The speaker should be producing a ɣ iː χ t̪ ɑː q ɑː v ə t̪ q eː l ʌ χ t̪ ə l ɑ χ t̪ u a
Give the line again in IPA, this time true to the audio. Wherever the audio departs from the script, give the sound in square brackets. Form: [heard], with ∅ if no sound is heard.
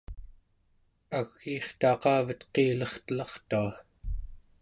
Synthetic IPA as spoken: a [ɣː] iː χ t̪ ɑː q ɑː v ə t̪ q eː l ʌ χ t̪ ə l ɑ χ t̪ u a